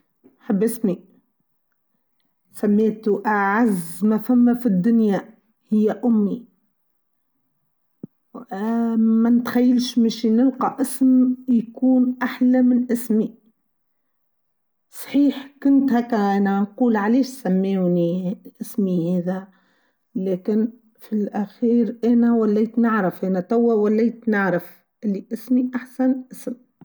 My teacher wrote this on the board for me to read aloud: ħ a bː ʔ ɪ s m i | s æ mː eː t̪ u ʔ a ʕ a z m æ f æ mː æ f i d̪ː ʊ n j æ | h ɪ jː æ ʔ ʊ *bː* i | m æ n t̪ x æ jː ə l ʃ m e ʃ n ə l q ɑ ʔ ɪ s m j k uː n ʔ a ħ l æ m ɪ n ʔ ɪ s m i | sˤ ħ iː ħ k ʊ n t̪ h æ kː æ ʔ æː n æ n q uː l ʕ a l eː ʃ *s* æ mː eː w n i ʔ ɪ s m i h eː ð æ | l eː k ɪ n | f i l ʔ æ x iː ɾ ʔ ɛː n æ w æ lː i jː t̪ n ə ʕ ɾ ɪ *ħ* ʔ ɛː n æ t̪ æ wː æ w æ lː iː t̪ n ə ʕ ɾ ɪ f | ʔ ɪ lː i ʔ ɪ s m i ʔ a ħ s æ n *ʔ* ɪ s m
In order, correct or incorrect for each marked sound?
incorrect, correct, incorrect, correct

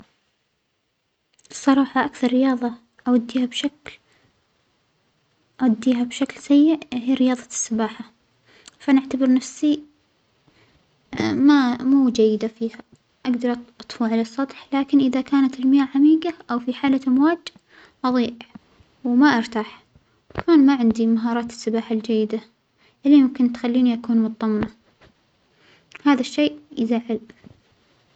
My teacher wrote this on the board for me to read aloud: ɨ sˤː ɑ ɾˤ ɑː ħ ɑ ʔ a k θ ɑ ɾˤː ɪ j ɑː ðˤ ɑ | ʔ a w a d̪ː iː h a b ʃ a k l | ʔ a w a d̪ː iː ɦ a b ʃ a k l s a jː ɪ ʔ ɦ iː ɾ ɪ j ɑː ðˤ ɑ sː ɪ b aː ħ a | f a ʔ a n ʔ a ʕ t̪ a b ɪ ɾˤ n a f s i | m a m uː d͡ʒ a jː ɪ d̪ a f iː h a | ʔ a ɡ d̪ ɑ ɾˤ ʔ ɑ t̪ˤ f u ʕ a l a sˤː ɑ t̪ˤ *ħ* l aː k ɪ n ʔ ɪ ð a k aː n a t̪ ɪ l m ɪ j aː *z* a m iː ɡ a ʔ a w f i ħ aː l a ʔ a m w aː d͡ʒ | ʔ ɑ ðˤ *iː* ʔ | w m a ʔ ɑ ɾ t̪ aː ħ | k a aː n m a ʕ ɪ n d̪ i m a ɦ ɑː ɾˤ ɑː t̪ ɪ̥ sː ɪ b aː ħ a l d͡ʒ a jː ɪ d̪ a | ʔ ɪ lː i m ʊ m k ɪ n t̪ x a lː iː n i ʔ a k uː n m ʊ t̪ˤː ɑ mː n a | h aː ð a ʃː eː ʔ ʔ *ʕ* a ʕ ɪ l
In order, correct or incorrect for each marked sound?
correct, incorrect, correct, incorrect

